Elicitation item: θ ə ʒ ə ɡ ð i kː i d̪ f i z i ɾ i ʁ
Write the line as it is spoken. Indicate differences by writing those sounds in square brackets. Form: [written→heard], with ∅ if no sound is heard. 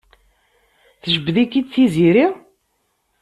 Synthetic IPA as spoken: θ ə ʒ ə [ɡ→b] ð i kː i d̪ [f→θ] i z i ɾ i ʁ